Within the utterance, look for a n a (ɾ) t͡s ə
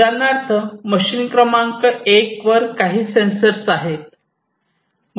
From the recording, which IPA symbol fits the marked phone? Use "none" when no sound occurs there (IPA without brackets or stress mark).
ɾ